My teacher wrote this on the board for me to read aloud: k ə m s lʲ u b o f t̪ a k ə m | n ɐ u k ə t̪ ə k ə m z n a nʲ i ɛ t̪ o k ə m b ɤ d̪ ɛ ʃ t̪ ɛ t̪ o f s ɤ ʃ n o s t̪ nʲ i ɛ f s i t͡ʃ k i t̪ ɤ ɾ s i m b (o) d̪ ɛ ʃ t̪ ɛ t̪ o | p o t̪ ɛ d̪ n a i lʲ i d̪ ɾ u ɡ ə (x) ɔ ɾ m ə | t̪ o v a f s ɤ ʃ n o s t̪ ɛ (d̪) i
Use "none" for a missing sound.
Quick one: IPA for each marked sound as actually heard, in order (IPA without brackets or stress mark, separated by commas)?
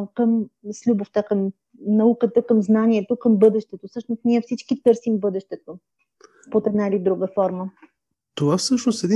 ɤ, f, d̪